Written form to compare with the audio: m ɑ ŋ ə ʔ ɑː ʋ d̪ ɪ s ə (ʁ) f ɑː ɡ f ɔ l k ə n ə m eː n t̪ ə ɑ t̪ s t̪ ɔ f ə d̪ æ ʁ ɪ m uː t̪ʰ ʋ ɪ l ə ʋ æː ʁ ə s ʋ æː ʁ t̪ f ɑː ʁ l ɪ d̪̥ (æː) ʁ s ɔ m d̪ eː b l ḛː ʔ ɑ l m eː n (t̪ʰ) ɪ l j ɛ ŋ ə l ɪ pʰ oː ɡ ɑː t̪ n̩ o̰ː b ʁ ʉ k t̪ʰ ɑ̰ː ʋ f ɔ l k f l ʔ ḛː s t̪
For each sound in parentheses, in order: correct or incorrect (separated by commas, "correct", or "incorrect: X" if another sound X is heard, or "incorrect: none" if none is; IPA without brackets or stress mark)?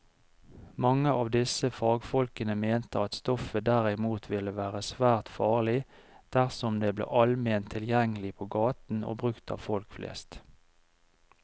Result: incorrect: none, incorrect: æ, correct